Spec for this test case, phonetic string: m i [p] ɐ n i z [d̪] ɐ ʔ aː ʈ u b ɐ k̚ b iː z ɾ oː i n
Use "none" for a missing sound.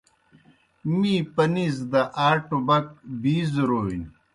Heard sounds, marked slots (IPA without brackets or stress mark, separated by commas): p, d̪